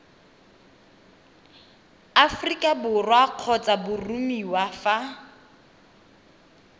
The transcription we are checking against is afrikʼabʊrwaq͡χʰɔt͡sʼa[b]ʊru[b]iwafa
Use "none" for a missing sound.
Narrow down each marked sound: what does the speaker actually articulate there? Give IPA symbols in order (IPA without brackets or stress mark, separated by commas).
b, m